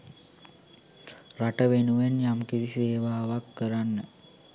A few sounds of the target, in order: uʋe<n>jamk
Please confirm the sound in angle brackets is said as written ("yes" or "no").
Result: yes